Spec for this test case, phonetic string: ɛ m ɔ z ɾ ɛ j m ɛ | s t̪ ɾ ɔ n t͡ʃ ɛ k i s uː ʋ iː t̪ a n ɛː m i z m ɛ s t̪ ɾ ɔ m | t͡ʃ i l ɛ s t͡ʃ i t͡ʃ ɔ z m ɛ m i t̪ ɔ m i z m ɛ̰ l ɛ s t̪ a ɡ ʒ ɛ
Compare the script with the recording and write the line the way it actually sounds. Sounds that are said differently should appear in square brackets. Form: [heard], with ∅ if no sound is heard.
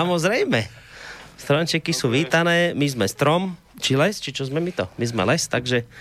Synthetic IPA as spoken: [a] m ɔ z ɾ ɛ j m ɛ | s t̪ ɾ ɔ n t͡ʃ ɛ k i s uː ʋ iː t̪ a n ɛː m i z m ɛ s t̪ ɾ ɔ m | t͡ʃ i l ɛ s t͡ʃ i t͡ʃ ɔ z m ɛ m i t̪ ɔ m i z m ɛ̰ l ɛ s t̪ a ɡ ʒ ɛ